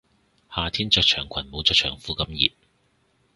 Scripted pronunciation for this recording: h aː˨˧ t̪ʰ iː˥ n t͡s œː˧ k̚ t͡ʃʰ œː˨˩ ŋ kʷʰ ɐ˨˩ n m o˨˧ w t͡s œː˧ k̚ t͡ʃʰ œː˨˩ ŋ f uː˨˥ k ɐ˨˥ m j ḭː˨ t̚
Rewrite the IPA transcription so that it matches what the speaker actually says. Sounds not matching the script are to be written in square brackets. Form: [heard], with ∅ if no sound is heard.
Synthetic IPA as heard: h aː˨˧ t̪ʰ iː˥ n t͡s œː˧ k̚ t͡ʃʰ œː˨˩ ŋ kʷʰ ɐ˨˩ n m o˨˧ w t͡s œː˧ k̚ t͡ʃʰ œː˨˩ ŋ f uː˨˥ k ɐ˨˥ m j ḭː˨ t̚